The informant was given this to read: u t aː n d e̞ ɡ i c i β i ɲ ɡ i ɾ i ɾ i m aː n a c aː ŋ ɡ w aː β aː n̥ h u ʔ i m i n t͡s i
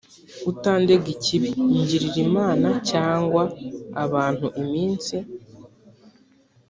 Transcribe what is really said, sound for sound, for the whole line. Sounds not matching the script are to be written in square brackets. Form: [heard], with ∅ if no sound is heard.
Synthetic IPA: u t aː n d e̞ ɡ i c i β i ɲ [ɟ] i ɾ i ɾ i m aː n a c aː ŋ ɡ w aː β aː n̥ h u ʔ i m [iː] n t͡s i